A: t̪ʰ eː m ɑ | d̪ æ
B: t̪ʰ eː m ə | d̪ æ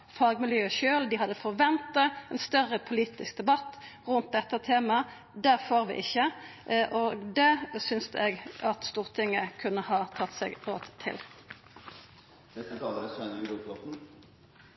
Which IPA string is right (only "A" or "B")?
A